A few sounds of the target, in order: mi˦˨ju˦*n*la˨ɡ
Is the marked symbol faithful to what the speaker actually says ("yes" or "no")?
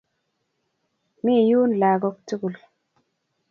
yes